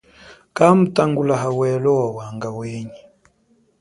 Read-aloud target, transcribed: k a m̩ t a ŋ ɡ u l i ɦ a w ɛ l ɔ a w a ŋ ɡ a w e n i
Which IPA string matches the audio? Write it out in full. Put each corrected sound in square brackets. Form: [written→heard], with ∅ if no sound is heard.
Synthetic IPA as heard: k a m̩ t a ŋ ɡ u l [i→a] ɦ a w ɛ l ɔ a w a ŋ ɡ a w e [n→ɲ] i

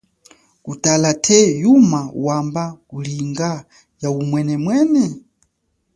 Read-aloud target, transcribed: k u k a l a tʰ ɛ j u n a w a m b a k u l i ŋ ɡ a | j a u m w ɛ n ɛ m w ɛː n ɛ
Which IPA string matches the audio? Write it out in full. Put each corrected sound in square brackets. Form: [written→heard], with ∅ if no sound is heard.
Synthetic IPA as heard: k u [k→t] a l a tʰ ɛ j u [n→m] a w a m b a k u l i ŋ ɡ a | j a u m w ɛ n ɛ m w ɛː n ɛ

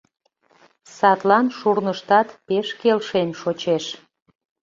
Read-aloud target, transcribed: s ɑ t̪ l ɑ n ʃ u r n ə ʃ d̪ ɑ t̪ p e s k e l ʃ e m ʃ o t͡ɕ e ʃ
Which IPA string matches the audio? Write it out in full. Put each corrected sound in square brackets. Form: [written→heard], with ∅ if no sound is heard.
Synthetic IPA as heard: s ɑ t̪ l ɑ n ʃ u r n ə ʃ [d̪→t̪] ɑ t̪ p e [s→ʃ] k e l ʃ e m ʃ o t͡ɕ e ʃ

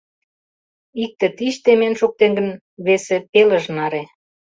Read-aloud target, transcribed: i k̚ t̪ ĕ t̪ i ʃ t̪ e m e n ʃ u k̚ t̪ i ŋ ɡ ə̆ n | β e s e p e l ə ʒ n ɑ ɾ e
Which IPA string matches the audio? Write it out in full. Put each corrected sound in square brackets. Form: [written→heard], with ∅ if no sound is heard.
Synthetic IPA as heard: i k̚ t̪ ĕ t̪ i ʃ t̪ e m e n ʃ u k̚ t̪ [i→e] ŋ ɡ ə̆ n | β e s e p e l ə ʒ n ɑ ɾ e

